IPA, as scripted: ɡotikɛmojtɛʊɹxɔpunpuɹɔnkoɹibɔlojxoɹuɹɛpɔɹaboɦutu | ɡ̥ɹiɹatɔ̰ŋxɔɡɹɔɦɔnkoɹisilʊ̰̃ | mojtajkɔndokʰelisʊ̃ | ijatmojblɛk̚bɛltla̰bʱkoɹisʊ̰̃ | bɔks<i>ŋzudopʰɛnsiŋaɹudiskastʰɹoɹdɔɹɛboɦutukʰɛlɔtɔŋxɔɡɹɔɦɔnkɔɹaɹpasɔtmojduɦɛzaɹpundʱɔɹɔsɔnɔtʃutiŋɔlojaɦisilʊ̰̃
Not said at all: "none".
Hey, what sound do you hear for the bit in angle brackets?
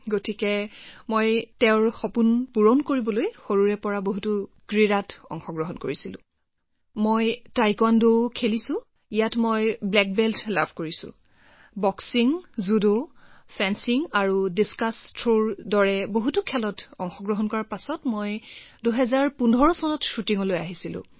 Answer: i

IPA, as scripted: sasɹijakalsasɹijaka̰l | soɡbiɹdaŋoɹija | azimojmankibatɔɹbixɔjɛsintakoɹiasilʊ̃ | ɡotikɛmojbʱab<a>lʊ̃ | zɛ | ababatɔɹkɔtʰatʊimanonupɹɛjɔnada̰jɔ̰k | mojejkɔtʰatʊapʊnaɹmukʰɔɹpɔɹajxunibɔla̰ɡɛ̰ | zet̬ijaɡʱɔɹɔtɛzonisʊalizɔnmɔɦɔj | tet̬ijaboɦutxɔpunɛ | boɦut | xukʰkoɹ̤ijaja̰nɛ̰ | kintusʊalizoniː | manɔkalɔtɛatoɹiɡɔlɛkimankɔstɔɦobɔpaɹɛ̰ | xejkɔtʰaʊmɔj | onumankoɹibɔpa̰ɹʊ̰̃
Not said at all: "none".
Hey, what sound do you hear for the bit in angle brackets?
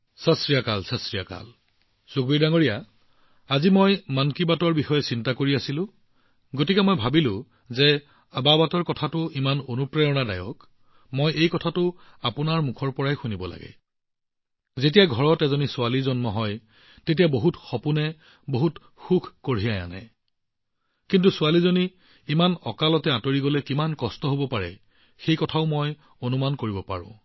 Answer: i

